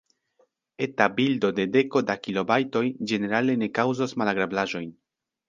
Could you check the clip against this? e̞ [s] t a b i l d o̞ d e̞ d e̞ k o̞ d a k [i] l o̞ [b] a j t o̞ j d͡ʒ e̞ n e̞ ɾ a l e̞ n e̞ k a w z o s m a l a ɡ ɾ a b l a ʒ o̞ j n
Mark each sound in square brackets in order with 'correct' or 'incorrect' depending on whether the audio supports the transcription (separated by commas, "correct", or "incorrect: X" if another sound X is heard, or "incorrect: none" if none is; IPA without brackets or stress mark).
incorrect: none, correct, correct